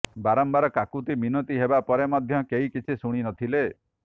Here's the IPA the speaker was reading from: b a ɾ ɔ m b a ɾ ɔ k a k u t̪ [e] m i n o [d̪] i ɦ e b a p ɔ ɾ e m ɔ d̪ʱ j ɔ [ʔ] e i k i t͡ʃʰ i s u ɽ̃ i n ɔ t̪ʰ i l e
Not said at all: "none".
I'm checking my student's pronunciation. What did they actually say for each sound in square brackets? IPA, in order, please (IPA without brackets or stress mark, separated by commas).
i, t̪, k